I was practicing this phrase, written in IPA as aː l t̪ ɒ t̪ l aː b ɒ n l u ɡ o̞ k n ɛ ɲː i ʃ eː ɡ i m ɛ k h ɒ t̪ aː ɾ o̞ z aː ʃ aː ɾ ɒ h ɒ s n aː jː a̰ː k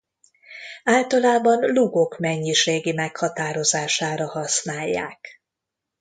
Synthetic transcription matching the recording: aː l t̪ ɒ l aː b ɒ n l u ɡ o̞ k m ɛ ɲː i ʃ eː ɡ i m ɛ k h ɒ t̪ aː ɾ o̞ z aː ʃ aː ɾ ɒ h ɒ s n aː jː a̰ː k